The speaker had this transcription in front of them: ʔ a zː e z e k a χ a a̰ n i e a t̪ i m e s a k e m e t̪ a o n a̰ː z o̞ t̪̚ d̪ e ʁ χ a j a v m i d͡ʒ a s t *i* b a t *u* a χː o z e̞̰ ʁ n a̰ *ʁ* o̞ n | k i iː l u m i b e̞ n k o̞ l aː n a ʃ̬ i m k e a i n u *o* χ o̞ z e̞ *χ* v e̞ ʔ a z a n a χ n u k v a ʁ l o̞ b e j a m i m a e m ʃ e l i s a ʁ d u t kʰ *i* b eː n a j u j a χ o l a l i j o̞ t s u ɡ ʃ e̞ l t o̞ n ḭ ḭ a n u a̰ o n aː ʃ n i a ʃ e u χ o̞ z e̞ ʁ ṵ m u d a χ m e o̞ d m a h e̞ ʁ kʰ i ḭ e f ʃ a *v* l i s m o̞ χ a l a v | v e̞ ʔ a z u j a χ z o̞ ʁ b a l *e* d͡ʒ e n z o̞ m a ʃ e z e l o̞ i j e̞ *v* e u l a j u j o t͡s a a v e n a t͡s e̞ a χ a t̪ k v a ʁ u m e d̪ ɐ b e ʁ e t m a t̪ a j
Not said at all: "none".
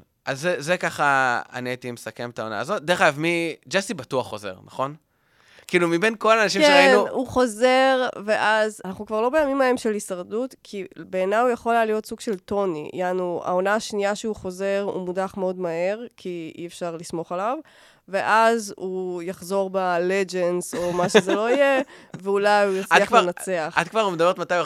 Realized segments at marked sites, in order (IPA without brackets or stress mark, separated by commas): i, u, χ, u, ʁ, i, ʁ, e, v